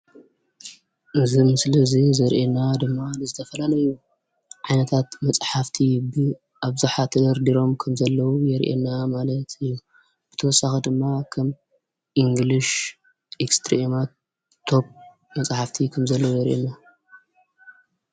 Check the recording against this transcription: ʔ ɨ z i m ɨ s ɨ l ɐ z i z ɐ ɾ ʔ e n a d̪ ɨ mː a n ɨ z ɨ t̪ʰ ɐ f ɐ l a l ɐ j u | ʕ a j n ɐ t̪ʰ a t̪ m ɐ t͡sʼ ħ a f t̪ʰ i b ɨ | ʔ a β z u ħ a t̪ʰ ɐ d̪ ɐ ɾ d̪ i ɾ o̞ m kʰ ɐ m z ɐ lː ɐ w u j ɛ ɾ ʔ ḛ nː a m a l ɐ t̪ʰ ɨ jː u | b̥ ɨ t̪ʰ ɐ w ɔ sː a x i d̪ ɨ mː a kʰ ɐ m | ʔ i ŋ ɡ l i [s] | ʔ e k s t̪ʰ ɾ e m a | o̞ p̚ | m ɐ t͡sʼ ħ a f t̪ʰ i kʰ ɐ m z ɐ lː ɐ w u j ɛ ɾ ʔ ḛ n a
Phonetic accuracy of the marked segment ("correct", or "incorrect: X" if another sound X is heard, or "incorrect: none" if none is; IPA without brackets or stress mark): incorrect: ʃ